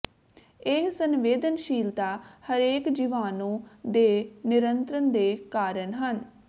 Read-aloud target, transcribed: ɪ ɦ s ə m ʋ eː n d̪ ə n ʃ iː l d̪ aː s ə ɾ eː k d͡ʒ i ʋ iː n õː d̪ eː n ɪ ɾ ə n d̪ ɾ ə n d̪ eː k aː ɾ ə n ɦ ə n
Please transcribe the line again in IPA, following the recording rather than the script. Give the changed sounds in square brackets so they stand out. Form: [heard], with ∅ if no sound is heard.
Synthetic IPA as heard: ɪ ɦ s ə [n] ʋ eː [∅] d̪ ə n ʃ iː l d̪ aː [h] ə ɾ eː k d͡ʒ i ʋ [aː] n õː d̪ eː n ɪ ɾ ə n [t̪] ɾ ə n d̪ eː k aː ɾ ə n ɦ ə n